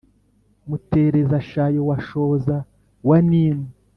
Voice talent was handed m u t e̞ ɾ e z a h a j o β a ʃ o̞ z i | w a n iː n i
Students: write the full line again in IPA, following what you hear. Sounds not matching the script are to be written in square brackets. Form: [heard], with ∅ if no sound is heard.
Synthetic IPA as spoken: m u t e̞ ɾ e z a [ʃ] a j o [w] a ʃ o̞ z [a] | w a n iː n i